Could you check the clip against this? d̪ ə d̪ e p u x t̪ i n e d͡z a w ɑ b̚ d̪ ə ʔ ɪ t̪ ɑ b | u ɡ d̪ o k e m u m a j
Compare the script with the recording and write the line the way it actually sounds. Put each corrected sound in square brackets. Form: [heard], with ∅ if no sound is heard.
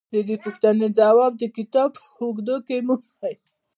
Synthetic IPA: d̪ ə d̪ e p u x t̪ [a] n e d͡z a w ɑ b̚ d̪ ə [k] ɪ t̪ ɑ b | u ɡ d̪ o k e m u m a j